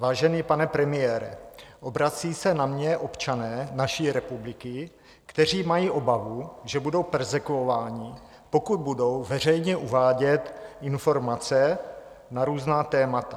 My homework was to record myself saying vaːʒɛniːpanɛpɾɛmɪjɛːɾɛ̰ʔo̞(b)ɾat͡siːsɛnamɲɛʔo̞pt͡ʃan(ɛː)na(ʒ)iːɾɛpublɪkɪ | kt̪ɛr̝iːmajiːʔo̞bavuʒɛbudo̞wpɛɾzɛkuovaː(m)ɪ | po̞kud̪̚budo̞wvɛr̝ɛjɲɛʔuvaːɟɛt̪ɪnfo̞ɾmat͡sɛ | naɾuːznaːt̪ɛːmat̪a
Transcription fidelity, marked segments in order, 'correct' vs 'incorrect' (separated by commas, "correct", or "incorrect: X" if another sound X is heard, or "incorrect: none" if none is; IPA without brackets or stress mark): correct, correct, incorrect: ʃ, incorrect: ɲ